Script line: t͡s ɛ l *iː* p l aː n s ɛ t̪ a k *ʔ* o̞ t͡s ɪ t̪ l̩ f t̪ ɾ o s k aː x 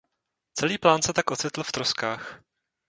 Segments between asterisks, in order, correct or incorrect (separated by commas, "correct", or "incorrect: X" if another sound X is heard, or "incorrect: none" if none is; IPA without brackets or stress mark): correct, correct